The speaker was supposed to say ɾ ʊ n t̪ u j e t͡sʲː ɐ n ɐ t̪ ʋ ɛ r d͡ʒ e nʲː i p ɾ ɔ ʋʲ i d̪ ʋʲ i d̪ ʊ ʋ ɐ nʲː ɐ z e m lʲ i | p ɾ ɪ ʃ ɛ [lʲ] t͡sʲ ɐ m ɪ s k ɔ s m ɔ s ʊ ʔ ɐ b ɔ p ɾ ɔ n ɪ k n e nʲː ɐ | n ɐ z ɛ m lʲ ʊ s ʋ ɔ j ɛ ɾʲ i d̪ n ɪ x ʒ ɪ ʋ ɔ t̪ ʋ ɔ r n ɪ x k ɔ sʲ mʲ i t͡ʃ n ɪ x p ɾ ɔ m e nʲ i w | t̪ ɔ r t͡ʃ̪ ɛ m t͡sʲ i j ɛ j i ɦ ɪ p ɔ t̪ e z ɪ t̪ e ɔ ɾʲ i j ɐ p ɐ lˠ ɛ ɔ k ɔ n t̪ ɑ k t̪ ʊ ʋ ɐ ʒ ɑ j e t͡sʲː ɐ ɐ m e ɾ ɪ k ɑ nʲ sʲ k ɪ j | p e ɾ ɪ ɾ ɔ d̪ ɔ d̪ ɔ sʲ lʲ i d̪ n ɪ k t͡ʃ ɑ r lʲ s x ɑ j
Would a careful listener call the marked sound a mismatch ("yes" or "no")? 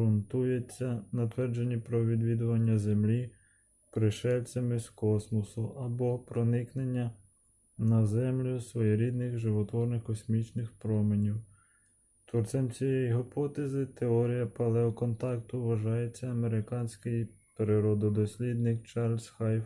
no